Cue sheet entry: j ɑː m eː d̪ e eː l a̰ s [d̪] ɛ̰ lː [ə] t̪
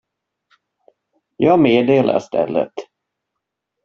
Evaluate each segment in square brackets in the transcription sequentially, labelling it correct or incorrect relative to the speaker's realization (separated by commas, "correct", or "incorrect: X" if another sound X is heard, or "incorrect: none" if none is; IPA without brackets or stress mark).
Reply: incorrect: t̪, correct